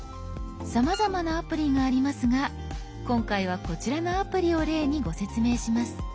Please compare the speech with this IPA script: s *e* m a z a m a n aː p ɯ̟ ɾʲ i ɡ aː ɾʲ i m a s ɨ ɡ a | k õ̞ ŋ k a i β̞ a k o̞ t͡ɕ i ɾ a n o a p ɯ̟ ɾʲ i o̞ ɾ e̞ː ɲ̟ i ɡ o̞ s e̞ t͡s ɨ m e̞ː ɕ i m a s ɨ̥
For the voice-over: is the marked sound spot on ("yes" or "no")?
no